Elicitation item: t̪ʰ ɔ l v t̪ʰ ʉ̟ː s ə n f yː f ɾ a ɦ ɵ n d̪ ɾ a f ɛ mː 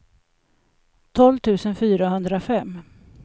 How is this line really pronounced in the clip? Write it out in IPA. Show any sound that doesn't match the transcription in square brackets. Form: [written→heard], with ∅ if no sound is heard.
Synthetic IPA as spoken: t̪ʰ ɔ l v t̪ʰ ʉ̟ː s ə n f yː [f→∅] ɾ a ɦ ɵ n d̪ ɾ a f ɛ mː